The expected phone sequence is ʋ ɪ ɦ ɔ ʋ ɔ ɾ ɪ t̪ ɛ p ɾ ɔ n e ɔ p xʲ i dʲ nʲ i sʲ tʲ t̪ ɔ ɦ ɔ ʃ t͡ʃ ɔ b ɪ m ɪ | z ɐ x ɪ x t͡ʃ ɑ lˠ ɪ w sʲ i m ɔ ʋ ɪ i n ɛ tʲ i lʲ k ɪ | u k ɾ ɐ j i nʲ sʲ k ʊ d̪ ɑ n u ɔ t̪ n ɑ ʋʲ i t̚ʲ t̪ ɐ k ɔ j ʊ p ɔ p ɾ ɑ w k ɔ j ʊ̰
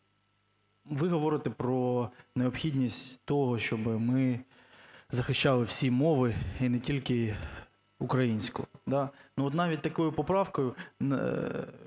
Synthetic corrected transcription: ʋ ɪ ɦ ɔ ʋ ɔ ɾ ɪ t̪ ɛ p ɾ ɔ n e ɔ p xʲ i dʲ nʲ i sʲ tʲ t̪ ɔ ɦ ɔ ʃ t͡ʃ ɔ b ɪ m ɪ | z ɐ x ɪ ʃ t͡ʃ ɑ lˠ ɪ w sʲ i m ɔ ʋ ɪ i n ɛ tʲ i lʲ k ɪ | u k ɾ ɐ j i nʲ sʲ k ʊ d̪ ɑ n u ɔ t̪ n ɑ ʋʲ i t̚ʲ t̪ ɐ k ɔ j ʊ p ɔ p ɾ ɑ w k ɔ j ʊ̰